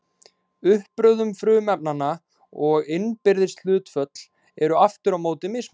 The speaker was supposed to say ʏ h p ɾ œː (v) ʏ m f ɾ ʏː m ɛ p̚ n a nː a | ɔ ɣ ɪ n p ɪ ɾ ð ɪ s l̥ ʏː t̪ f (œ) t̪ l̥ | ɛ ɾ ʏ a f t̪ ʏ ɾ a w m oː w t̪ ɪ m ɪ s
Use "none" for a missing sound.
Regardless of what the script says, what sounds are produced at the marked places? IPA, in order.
ð, œ

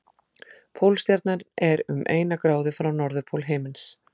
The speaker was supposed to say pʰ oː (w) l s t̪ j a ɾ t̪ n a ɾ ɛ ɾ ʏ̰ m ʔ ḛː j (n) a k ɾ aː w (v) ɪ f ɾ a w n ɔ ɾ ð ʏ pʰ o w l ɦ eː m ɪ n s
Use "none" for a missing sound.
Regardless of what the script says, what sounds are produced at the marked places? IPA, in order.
w, n, ð

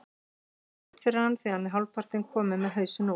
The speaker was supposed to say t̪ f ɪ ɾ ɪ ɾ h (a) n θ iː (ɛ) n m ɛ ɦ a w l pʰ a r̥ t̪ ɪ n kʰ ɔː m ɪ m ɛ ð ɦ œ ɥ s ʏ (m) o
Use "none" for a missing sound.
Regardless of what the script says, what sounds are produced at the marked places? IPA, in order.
a, a, n

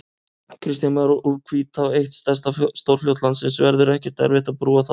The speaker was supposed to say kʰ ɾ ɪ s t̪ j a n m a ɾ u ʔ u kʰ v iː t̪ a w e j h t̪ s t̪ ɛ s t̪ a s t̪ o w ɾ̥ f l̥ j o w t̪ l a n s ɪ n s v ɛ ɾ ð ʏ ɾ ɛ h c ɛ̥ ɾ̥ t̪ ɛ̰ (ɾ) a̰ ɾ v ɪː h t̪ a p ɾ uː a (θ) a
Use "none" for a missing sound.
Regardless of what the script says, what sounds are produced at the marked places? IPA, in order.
none, θ

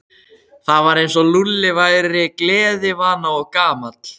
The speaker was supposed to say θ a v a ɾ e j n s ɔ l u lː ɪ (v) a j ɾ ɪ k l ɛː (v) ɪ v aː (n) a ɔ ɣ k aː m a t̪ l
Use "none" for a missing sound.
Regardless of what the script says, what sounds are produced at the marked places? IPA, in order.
v, ð, n

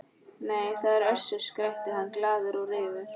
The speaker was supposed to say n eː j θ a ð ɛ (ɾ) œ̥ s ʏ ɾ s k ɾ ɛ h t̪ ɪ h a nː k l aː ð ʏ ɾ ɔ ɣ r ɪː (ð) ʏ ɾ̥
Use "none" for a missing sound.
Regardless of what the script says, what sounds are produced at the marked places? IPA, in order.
ɾ, v

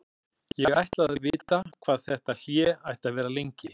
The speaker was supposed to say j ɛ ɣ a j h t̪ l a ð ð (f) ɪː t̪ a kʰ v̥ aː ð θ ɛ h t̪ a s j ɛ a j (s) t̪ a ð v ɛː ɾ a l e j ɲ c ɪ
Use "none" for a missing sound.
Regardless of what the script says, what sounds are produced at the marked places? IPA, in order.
v, h

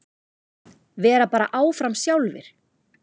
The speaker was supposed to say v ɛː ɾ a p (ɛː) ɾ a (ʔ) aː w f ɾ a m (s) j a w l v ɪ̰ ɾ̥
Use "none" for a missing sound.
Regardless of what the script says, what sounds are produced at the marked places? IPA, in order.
aː, ʔ, s

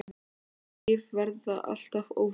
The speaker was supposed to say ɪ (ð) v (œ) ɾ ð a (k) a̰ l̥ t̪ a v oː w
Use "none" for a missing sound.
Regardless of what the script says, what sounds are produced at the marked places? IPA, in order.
v, ɛ, ʔ

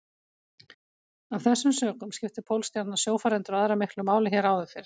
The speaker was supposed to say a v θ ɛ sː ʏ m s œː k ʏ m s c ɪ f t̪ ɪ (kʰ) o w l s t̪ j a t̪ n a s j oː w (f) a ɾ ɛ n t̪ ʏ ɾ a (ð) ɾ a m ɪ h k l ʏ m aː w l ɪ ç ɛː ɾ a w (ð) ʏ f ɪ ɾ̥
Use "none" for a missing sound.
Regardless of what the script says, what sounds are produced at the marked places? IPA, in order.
pʰ, f, ð, ð

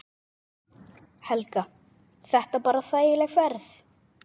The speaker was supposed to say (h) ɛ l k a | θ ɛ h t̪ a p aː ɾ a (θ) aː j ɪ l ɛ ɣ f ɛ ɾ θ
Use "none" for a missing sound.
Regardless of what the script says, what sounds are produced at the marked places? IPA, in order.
h, θ

